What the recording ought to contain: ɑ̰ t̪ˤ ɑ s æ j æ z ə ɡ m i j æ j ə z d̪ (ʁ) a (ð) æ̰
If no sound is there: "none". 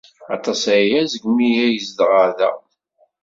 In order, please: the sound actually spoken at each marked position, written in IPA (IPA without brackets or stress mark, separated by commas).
ʁ, ð